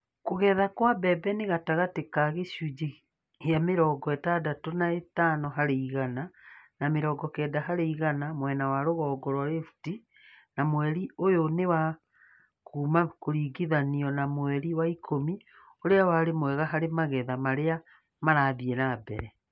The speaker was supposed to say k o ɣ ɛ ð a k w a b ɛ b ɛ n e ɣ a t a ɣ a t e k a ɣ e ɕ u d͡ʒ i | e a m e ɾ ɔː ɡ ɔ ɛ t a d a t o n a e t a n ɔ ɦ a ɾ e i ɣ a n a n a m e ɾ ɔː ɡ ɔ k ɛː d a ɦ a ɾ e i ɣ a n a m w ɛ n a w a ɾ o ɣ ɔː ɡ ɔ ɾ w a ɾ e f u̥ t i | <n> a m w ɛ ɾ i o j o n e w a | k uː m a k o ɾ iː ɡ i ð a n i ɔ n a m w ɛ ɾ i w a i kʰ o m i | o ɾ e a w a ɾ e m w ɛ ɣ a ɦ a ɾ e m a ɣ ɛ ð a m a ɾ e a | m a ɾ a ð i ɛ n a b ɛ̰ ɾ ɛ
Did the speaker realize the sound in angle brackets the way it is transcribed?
yes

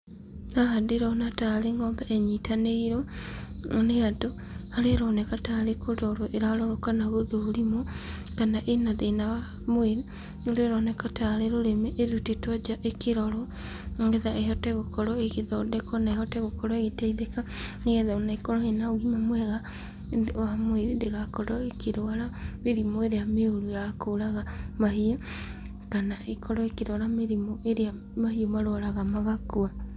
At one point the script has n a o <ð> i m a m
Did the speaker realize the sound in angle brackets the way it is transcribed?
no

